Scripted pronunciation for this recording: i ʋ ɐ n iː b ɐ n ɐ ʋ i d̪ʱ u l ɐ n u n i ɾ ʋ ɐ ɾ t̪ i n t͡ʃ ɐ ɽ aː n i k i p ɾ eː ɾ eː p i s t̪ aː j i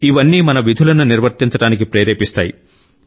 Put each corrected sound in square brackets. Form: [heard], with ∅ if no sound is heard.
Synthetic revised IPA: i ʋ ɐ [nː] iː [m] ɐ n ɐ ʋ i d̪ʱ u l ɐ n u n i ɾ ʋ ɐ ɾ t̪ i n t͡ʃ ɐ ɽ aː n i k i p ɾ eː ɾ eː p i s t̪ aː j i